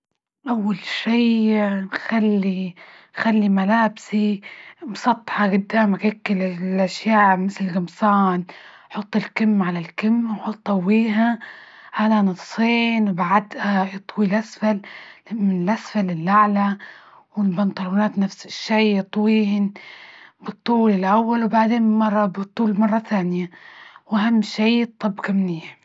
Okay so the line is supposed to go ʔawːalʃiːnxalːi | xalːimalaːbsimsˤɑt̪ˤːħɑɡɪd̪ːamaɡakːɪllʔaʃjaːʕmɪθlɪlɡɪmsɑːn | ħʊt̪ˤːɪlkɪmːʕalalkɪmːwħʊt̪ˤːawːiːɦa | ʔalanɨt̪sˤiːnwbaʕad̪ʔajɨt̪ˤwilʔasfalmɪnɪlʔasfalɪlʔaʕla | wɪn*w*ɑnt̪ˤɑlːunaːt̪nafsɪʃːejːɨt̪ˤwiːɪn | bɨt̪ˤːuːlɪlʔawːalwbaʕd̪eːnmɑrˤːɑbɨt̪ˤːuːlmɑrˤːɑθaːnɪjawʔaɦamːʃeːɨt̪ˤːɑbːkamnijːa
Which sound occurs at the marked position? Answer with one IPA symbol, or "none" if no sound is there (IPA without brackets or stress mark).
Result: b